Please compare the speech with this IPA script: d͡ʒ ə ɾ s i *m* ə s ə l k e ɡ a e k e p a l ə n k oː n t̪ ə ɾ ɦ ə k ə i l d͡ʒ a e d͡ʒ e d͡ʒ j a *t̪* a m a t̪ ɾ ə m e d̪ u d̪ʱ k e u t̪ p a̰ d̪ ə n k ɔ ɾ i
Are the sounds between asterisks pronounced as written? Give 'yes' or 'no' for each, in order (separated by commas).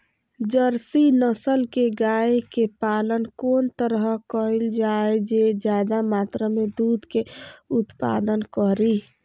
no, no